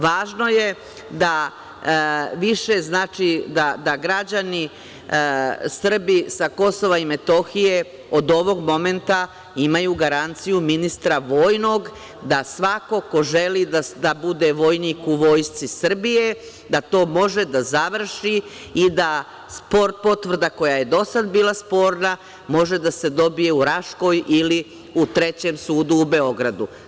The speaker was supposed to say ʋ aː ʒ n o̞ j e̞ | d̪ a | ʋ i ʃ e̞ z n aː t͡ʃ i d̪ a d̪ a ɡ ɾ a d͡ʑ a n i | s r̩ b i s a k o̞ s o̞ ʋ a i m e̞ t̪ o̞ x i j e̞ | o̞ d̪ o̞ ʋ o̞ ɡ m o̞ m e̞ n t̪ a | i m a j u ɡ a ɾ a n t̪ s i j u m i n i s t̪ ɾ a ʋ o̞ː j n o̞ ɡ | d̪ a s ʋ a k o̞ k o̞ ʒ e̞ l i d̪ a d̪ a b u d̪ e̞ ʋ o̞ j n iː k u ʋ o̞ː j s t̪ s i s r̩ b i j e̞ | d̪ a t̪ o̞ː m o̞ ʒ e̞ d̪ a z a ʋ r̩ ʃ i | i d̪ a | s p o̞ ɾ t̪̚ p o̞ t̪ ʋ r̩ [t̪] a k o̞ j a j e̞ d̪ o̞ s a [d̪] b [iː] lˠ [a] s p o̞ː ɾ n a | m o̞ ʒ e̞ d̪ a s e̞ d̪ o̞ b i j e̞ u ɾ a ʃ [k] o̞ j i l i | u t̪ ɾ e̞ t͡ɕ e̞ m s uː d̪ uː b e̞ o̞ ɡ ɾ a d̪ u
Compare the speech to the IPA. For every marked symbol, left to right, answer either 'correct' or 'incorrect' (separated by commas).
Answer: incorrect, correct, correct, correct, correct